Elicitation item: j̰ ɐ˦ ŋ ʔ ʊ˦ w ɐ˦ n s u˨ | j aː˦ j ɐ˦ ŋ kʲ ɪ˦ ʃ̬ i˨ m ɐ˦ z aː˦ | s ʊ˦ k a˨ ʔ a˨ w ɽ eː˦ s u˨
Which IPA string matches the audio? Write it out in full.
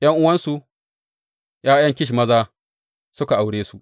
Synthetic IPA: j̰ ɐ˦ ŋ ʔ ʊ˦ w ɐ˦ n s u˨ | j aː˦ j ɐ˦ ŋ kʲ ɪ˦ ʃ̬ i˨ m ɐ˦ z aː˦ | s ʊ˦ k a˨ ʔ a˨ w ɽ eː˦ s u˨